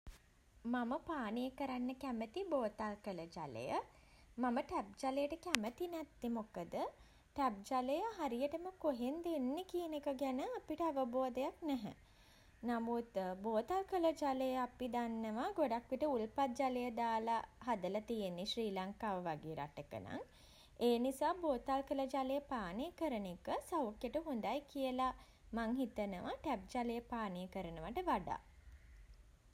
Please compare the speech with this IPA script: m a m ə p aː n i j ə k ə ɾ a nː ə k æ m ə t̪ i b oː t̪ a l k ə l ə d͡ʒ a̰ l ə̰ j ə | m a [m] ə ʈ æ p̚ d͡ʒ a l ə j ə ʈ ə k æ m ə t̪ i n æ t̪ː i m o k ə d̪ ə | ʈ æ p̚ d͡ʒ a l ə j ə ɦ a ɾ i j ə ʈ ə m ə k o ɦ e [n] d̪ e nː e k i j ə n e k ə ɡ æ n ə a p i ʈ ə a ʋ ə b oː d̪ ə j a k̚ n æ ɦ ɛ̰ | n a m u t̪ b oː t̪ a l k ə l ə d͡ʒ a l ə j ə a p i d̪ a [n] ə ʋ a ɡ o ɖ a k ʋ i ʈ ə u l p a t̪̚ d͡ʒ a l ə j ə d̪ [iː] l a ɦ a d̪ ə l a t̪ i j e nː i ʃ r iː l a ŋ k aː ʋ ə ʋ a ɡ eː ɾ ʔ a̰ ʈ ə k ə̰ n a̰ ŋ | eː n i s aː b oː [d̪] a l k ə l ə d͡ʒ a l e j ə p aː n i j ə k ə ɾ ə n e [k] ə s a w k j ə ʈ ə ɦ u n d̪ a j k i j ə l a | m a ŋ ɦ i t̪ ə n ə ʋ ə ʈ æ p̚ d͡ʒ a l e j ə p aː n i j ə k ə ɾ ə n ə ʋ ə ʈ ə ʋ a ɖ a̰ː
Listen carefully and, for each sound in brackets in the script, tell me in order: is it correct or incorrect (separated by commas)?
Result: correct, correct, incorrect, incorrect, incorrect, correct